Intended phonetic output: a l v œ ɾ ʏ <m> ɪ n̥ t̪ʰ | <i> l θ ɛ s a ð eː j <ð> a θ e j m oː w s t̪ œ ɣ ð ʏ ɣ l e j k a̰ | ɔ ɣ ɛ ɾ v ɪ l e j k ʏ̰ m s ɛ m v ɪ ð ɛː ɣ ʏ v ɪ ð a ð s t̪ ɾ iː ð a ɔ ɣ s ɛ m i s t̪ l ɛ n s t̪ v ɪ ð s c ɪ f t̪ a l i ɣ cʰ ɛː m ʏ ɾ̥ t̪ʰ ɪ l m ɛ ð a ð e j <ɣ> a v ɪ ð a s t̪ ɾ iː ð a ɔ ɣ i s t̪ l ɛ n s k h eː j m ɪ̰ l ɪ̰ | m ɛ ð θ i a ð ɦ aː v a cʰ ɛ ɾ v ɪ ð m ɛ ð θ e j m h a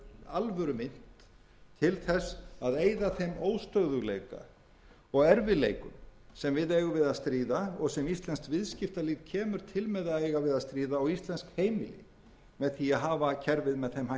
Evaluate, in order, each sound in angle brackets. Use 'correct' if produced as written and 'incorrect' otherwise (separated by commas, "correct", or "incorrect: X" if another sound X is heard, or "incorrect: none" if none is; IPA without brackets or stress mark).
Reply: correct, incorrect: ɪ, correct, correct